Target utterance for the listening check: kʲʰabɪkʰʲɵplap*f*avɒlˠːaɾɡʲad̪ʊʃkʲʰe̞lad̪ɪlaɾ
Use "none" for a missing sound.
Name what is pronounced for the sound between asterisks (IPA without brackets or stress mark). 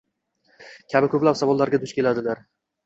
s